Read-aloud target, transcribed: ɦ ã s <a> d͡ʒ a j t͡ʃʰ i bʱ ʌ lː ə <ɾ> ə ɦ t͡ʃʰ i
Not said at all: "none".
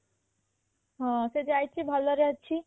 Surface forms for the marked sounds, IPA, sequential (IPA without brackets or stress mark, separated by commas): e, ɾ